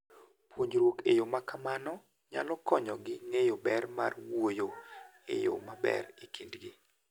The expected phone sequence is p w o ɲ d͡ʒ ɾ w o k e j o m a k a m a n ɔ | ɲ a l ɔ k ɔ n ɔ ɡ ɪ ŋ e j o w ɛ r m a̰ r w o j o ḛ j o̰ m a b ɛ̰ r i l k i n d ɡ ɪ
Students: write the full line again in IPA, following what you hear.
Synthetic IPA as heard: p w o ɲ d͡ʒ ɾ w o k e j o m a k a m a n ɔ | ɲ a l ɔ k ɔ ɲ ɔ ɡ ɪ ŋ e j o b ɛ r m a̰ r w o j o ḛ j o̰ m a b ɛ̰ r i k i n d ɡ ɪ